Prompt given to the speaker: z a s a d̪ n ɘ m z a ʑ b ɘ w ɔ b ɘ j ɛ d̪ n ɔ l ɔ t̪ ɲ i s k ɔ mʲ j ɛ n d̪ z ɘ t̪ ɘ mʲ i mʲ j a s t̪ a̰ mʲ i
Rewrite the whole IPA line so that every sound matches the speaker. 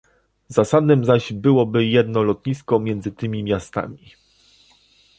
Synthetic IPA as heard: z a s a d̪ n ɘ m z a ʑ b ɘ w ɔ b ɘ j ɛ d̪ n ɔ l ɔ t̪ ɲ i s k ɔ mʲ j ɛ n d̪ z ɘ t̪ ɘ mʲ i mʲ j a s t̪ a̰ mʲ i

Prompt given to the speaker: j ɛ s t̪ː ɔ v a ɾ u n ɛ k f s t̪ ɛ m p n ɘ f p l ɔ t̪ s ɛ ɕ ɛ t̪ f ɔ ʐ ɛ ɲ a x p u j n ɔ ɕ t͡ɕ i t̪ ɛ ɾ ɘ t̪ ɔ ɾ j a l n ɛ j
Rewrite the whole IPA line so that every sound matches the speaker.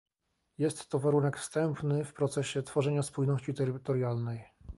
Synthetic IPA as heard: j ɛ s t̪ː ɔ v a ɾ u n ɛ k f s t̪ ɛ m p n ɘ f p ɾ ɔ t̪ s ɛ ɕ ɛ t̪ f ɔ ʐ ɛ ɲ a s p u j n ɔ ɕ t͡ɕ i t̪ ɛ ɾ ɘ t̪ ɔ ɾ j a l n ɛ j

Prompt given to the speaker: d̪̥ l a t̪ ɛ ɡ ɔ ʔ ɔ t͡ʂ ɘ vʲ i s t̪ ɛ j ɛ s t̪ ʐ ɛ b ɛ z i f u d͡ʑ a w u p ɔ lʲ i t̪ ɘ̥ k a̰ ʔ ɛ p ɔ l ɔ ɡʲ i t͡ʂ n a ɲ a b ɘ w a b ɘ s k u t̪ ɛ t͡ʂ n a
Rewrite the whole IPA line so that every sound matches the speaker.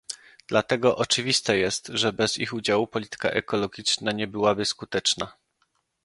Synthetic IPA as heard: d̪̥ l a t̪ ɛ ɡ ɔ ʔ ɔ t͡ʂ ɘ vʲ i s t̪ ɛ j ɛ s t̪ ʐ ɛ b ɛ z i x u d͡ʑ a w u p ɔ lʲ i t̪ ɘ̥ k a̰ ʔ ɛ k ɔ l ɔ ɡʲ i t͡ʂ n a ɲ ɛ b ɘ w a b ɘ s k u t̪ ɛ t͡ʂ n a

